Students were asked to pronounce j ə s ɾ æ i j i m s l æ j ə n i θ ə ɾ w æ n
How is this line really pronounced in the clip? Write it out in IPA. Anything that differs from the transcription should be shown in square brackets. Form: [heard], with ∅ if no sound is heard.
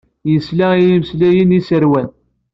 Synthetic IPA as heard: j ə s [l] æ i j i m s l æ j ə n i [s] ə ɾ w æ n